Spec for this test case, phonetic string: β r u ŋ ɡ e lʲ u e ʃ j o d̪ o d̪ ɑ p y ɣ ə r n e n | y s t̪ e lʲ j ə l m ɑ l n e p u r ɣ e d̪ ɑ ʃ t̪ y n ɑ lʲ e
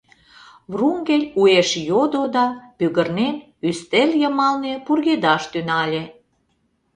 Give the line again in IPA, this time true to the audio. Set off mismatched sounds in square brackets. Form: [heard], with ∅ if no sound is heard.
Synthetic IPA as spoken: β r u ŋ ɡ e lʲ u e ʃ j o d̪ o d̪ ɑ p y ɣ ə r n e n | y s t̪ e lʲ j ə [∅] m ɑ l n e p u r ɣ e d̪ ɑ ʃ t̪ y n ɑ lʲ e